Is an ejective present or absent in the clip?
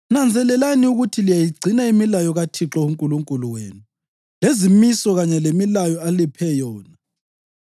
present